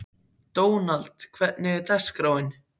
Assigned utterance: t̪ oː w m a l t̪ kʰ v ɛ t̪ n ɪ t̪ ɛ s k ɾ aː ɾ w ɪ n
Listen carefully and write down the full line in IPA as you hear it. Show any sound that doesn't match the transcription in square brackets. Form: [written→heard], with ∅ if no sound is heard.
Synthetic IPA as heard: t̪ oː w [m→n] a l t̪ kʰ v ɛ t̪ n ɪ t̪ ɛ s k ɾ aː [ɾ→∅] w ɪ n